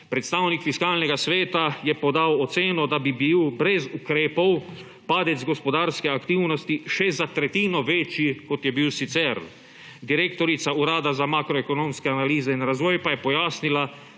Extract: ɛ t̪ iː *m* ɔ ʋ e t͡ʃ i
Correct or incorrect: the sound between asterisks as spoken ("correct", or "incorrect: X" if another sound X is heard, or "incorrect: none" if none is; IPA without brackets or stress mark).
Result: incorrect: n